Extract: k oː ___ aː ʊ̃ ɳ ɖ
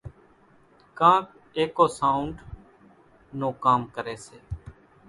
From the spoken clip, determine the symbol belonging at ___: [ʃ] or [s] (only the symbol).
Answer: s